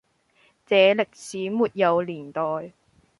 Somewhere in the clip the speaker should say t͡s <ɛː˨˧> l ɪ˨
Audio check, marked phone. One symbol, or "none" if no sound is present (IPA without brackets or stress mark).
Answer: ɛː˨˧